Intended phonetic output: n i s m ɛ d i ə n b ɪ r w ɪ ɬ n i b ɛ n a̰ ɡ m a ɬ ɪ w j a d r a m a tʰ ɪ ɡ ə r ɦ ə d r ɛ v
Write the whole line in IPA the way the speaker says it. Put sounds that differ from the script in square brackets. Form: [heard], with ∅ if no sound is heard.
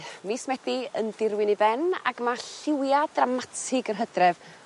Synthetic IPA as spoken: [m] i s m ɛ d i ə n [d] ɪ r w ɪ [∅] n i b ɛ n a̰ ɡ m a ɬ ɪ w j a d r a m a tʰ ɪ ɡ ə r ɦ ə d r ɛ v